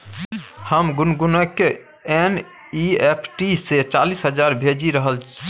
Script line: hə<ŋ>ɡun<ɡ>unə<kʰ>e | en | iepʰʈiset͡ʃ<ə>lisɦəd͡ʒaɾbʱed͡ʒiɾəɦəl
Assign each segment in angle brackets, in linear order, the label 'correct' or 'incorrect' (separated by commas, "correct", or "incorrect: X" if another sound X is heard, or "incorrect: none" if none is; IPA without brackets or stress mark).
incorrect: m, correct, incorrect: k, incorrect: a